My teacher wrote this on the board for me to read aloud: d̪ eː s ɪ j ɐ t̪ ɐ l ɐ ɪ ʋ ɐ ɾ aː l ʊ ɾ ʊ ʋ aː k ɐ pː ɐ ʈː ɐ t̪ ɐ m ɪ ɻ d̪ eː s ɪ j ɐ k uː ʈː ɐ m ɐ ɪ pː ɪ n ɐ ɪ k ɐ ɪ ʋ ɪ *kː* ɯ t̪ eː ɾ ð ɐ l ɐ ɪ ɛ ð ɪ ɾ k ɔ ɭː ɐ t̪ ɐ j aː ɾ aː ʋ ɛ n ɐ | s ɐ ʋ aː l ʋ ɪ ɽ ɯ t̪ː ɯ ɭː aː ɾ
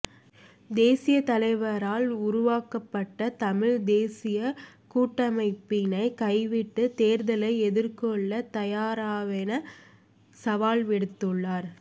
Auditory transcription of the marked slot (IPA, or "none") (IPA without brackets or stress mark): ʈː